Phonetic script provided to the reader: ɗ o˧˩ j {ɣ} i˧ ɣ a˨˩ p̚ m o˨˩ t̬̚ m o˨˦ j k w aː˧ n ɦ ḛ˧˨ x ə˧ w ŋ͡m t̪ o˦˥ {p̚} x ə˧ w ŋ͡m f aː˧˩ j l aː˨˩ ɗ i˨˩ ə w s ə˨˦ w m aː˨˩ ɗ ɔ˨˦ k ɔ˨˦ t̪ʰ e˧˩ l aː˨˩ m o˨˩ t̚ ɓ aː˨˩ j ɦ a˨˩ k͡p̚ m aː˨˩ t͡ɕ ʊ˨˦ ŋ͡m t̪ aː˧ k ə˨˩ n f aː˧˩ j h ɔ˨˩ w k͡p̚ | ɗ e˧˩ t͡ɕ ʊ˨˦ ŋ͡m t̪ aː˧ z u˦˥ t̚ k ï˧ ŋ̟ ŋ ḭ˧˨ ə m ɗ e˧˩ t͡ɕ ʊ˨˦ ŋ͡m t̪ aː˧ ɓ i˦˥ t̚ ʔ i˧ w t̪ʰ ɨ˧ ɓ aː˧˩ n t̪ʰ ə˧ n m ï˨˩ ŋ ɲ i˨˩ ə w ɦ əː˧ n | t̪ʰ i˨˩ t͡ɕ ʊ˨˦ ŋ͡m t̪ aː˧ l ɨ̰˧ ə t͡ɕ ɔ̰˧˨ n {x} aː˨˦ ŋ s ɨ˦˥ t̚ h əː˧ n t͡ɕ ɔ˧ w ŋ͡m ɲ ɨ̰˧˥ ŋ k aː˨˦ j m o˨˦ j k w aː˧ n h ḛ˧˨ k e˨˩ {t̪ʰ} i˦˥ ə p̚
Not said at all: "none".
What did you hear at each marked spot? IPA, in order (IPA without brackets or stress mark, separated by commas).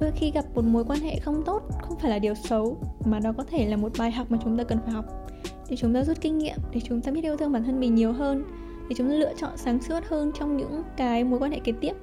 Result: x, t̚, s, t̪